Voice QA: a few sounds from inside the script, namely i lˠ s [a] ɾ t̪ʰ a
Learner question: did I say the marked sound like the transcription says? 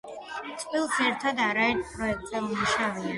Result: no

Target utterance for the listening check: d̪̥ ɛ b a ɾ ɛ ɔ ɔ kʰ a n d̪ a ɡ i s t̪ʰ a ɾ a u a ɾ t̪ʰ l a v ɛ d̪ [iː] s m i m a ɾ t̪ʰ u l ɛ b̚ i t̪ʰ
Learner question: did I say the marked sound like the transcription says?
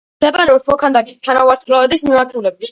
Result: no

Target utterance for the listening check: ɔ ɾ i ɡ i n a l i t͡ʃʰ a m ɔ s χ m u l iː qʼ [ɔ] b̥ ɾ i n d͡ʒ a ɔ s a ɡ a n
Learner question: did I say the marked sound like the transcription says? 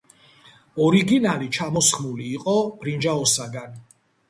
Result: yes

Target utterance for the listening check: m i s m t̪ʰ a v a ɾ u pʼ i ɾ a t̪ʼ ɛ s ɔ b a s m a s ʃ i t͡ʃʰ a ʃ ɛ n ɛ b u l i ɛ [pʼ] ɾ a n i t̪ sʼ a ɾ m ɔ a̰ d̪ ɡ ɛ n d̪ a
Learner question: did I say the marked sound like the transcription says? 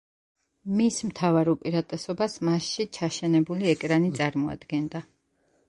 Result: no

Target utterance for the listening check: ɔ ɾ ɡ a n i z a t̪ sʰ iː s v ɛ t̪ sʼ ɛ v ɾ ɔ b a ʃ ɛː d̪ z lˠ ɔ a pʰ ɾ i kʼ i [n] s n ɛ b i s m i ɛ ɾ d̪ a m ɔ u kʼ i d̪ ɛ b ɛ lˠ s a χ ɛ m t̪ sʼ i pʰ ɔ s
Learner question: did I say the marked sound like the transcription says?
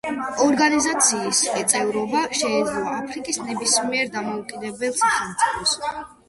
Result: no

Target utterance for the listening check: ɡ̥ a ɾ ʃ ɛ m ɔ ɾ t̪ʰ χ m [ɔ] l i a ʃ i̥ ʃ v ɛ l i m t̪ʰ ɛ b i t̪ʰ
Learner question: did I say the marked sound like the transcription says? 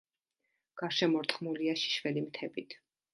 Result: no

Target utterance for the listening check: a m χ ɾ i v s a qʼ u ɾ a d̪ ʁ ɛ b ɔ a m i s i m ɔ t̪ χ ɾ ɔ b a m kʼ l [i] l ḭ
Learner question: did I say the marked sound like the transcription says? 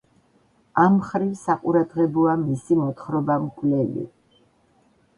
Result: no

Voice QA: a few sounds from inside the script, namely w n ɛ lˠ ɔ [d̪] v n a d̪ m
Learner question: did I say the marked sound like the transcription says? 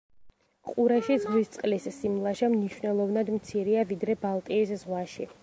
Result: no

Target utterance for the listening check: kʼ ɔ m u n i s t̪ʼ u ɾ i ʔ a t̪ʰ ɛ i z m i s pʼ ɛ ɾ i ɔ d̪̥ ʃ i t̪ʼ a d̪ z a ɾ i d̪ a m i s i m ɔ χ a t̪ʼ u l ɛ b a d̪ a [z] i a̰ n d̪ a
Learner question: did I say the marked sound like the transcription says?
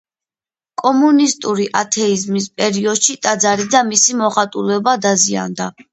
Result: yes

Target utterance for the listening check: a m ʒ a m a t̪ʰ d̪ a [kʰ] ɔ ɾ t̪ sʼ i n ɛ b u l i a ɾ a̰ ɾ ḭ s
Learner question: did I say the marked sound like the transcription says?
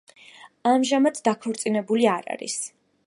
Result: yes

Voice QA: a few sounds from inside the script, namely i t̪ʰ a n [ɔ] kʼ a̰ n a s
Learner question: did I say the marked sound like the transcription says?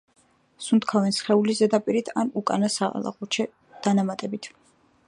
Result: no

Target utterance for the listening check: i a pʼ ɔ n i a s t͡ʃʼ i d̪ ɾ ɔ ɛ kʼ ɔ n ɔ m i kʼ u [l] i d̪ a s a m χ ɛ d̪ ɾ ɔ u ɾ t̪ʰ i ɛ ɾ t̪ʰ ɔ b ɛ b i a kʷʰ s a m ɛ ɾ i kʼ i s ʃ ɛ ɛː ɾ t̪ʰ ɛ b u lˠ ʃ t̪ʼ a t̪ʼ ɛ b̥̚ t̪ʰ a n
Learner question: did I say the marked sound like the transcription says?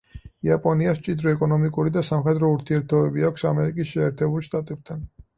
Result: no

